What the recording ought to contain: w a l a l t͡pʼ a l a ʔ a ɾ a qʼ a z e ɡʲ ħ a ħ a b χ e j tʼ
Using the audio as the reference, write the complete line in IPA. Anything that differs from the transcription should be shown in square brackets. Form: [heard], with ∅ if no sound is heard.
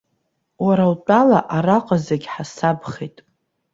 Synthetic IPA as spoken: w a [ɾ] a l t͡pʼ a l a ʔ a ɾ a qʼ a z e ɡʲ ħ a [s] a b χ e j tʼ